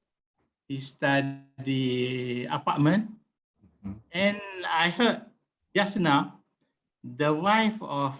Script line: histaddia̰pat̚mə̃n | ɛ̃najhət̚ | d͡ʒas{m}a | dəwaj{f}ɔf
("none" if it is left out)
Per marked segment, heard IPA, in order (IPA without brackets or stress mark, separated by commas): n, f